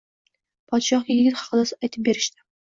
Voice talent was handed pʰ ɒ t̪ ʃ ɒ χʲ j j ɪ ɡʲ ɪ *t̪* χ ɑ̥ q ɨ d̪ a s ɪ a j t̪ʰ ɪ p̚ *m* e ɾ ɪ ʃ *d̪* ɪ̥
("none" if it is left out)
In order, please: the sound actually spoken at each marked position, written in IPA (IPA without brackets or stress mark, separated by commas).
t̪, b, t̪